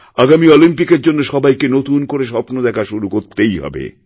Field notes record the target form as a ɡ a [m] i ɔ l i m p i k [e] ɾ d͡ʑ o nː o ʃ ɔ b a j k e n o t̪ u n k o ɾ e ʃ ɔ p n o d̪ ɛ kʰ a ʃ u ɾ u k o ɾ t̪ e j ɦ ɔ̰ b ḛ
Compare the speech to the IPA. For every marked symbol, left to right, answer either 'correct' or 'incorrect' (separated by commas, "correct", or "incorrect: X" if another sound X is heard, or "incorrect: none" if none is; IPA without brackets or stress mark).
correct, correct